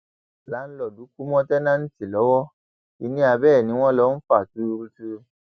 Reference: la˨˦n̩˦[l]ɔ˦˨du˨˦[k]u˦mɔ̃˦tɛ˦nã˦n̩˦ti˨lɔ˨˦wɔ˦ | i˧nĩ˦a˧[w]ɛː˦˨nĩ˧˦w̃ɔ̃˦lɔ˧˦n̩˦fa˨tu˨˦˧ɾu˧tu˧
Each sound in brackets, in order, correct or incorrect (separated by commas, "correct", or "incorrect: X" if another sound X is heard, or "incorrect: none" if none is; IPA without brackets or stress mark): correct, correct, incorrect: b